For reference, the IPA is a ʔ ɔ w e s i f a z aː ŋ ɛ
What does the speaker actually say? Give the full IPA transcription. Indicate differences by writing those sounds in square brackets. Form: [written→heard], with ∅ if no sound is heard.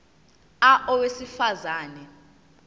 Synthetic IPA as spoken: a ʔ ɔ w e s i f a z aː [ŋ→n] ɛ

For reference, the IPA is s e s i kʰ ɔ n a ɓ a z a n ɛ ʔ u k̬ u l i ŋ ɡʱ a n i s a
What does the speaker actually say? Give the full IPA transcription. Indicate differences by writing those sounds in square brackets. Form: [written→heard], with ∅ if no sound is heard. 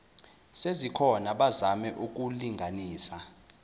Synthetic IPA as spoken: s e [s→z] i kʰ ɔ n a ɓ a z a [n→m] ɛ ʔ u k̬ u l i ŋ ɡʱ a n [i→iː] s a

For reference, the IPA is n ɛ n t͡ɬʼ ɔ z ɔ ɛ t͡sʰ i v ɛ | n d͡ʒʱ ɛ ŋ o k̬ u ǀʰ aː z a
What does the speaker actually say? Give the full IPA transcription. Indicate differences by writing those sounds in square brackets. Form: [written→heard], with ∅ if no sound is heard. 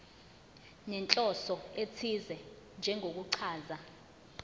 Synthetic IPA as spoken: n ɛ n t͡ɬʼ ɔ [z→s] ɔ [ɛ→e] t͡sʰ i [v→z] ɛ | n d͡ʒʱ ɛ ŋ o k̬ u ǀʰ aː z a

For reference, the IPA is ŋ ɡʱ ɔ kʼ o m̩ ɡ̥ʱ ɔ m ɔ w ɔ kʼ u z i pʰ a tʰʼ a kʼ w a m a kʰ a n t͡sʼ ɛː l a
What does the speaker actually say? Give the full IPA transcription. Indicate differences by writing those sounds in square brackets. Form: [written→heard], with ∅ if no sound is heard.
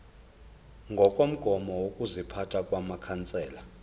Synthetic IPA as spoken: ŋ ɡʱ ɔ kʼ o m̩ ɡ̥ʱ ɔ m ɔ w [ɔ→o] kʼ u z i pʰ a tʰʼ a kʼ w a m a kʰ a n t͡sʼ ɛː l a

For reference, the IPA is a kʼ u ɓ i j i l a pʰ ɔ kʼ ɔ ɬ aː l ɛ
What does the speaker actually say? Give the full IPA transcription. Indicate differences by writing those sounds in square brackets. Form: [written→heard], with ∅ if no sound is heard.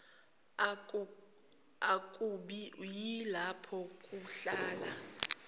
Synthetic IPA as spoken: a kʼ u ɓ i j i l a pʰ ɔ kʼ [ɔ→u] ɬ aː l [ɛ→a]

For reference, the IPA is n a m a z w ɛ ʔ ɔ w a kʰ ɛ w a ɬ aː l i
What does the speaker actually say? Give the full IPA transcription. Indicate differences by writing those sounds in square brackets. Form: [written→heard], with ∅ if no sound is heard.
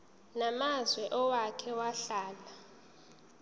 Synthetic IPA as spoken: n a m a z w ɛ ʔ ɔ w a kʰ ɛ w a ɬ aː l [i→a]

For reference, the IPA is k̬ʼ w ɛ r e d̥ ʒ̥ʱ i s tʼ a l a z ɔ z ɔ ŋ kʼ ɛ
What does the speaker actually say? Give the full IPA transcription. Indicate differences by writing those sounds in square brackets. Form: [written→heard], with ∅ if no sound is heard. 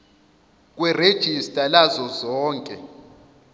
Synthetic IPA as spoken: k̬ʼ w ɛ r e d̥ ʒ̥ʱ i s tʼ a l a z ɔ z [ɔ→ɔː] ŋ kʼ ɛ

